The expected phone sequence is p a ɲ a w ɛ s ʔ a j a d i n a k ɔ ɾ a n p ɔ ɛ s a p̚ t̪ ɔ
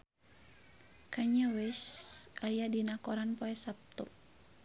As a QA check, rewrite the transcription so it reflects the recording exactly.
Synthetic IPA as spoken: k a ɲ a w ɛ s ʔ a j a d i n a k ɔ ɾ a n p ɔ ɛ s a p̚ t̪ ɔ